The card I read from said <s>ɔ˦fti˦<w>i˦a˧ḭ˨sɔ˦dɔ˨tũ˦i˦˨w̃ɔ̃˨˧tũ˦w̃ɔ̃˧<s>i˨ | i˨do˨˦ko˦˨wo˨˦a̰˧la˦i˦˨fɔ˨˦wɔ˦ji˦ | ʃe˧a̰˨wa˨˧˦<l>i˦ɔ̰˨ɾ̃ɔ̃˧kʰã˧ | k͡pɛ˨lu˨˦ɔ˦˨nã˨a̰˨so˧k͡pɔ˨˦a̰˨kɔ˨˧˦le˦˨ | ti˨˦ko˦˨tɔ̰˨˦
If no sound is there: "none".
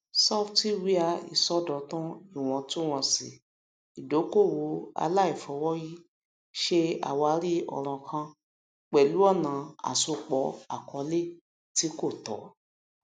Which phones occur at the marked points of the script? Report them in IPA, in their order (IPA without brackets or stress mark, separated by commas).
s, w, s, ɾ